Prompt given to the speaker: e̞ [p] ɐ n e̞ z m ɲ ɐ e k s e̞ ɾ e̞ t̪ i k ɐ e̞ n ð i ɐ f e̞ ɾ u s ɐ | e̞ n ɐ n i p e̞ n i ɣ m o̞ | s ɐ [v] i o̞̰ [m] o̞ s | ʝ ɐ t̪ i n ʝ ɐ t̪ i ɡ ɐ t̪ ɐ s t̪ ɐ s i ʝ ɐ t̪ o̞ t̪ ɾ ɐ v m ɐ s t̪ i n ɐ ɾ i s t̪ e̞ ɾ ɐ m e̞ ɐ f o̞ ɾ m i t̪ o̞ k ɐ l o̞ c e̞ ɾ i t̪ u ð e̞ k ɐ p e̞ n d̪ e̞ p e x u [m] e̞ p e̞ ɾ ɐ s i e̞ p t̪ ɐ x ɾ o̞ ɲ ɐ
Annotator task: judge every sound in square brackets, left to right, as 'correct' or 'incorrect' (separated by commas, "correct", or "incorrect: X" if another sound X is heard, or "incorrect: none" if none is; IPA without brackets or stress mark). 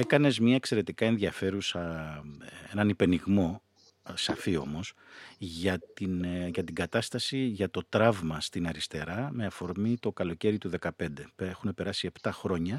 incorrect: k, incorrect: f, correct, incorrect: n